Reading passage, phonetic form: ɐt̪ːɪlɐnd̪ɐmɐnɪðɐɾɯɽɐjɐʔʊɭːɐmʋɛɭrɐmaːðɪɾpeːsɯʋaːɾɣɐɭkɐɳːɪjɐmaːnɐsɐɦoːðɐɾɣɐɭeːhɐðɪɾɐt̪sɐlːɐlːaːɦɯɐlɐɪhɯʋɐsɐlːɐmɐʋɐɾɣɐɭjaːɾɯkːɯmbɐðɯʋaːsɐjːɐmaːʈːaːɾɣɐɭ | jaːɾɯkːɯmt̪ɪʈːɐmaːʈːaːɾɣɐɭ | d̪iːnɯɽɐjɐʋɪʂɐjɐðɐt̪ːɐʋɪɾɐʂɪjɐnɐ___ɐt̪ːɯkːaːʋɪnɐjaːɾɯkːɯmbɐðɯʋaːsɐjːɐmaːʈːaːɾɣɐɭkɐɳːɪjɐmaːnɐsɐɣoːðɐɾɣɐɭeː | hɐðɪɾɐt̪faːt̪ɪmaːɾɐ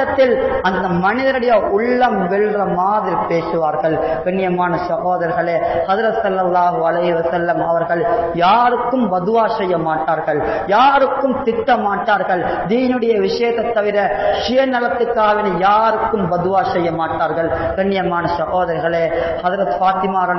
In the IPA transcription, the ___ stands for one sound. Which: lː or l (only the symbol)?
l